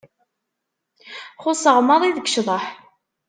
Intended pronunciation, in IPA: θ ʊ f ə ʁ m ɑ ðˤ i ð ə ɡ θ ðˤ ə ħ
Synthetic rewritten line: χ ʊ s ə ʁ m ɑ ðˤ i ð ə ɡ ʃ ðˤ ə ħ